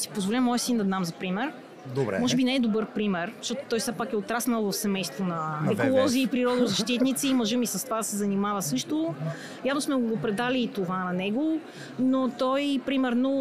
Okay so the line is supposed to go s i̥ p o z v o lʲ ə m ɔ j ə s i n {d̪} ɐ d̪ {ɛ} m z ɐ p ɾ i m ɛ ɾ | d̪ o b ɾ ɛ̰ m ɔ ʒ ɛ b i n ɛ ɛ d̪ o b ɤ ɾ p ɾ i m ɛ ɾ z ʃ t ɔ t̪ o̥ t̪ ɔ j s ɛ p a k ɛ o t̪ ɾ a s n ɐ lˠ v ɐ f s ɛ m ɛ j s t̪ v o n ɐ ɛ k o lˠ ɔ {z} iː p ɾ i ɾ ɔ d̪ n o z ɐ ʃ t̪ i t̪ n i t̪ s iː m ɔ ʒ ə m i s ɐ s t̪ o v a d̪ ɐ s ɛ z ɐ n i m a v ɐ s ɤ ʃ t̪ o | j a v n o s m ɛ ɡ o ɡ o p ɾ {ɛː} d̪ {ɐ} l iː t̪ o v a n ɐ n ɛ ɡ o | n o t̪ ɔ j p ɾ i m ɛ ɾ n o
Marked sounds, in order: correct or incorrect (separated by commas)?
correct, incorrect, correct, incorrect, incorrect